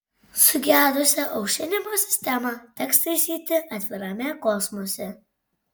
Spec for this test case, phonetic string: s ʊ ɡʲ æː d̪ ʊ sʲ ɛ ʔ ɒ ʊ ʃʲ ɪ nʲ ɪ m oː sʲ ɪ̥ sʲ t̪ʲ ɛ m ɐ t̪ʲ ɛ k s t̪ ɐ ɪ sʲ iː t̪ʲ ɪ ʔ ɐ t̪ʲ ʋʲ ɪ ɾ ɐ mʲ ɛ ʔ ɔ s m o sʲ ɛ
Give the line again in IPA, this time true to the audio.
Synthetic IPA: s ʊ ɡʲ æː d̪ ʊ sʲ ɛ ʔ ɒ ʊ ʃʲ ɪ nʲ ɪ m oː sʲ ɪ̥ sʲ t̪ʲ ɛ m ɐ t̪ʲ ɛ k s t̪ ɐ ɪ sʲ iː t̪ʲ ɪ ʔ ɐ t̪ʲ ʋʲ ɪ ɾ ɐ mʲ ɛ k ɔ s m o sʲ ɛ